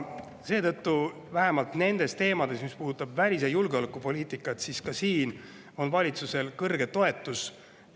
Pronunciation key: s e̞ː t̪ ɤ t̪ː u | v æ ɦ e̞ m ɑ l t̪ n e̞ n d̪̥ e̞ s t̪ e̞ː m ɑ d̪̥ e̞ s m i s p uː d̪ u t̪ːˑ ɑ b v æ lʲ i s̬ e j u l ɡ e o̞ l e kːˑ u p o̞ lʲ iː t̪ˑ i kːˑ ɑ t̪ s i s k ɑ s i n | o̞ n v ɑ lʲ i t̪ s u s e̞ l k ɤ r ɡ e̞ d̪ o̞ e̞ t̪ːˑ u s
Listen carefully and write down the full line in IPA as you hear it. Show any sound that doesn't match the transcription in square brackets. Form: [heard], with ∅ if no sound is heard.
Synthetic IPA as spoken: s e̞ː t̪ ɤ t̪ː u | v æ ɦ e̞ m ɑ l t̪ n e̞ n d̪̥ e̞ s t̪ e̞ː m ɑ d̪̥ e̞ s m i s p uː d̪ u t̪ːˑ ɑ b v æ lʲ i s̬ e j u l ɡ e o̞ l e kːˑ u p o̞ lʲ iː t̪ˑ i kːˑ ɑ t̪ s i s k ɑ s [iː] n | o̞ n v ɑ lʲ i t̪ s u s e̞ l k ɤ r ɡ e̞ [t̪] o̞ e̞ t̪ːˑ u s